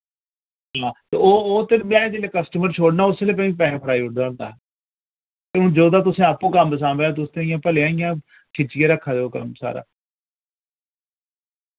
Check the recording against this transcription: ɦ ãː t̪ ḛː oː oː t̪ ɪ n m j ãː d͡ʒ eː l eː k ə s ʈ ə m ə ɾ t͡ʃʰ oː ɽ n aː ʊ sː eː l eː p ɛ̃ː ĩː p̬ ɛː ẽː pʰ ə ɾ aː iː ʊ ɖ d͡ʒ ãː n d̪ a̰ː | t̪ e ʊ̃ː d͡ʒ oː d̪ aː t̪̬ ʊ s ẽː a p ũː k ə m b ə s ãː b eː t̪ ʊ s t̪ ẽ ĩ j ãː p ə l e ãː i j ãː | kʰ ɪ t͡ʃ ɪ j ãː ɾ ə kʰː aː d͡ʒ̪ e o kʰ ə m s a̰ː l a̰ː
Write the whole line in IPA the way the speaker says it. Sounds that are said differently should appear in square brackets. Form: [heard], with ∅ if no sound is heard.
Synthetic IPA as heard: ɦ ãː t̪ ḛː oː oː t̪ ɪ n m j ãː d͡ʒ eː l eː k ə s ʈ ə m ə ɾ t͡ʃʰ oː ɽ n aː ʊ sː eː l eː p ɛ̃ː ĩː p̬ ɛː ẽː pʰ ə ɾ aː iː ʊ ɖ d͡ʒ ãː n d̪ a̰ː | t̪ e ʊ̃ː d͡ʒ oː d̪ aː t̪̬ ʊ s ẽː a p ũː k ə m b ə s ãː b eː t̪ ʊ s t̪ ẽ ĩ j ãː p ə l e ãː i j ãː | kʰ ɪ t͡ʃ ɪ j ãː ɾ ə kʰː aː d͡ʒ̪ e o [k] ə m s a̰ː [ɾ] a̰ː